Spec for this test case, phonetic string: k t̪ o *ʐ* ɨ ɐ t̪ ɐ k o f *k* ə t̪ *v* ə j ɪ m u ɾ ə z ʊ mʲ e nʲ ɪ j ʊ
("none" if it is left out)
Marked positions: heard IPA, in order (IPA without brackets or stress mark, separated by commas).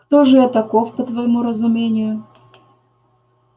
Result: ʐ, p, v